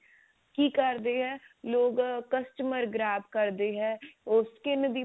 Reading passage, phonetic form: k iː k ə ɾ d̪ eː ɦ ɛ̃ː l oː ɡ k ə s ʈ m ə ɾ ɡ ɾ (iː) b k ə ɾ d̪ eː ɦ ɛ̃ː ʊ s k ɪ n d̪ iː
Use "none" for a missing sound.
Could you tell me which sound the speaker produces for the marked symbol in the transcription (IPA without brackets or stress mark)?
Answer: aː